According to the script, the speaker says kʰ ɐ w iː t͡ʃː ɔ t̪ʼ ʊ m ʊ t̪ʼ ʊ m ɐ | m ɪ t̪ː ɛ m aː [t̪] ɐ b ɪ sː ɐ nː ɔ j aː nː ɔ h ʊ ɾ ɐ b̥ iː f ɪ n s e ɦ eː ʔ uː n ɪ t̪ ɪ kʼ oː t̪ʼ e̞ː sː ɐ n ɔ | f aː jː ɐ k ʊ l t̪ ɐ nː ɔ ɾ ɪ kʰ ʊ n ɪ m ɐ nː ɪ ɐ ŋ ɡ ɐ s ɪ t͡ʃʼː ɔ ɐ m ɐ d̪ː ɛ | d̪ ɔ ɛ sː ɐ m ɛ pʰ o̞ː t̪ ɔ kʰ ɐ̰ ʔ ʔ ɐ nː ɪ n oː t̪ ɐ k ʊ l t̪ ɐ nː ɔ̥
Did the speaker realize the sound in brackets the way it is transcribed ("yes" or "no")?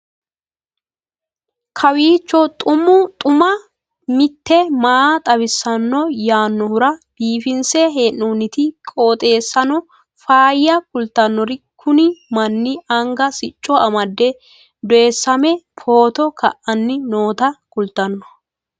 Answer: no